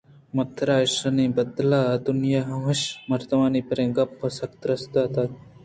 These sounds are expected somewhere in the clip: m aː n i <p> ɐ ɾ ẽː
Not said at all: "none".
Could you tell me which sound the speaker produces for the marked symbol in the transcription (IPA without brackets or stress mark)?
p